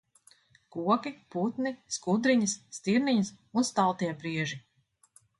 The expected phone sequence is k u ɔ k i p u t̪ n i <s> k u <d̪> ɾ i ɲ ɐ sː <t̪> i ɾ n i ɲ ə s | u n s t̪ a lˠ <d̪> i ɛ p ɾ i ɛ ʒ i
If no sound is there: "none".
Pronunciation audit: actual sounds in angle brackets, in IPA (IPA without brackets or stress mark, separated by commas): s, d̪, t̪, t̪